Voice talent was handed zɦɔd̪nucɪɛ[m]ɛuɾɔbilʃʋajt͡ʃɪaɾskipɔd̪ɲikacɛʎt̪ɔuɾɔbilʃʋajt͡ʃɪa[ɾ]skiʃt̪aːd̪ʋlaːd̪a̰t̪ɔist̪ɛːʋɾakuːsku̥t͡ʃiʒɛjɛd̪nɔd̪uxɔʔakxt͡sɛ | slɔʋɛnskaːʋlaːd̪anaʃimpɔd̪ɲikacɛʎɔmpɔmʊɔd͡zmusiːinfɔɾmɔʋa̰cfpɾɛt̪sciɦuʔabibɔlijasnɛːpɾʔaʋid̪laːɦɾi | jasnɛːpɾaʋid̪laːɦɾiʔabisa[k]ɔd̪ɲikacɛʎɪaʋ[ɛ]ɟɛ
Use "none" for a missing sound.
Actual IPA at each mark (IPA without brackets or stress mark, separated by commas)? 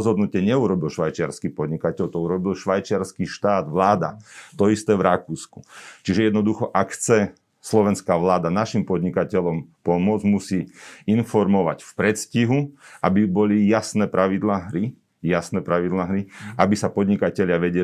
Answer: ɲ, ɾ, p, ɛ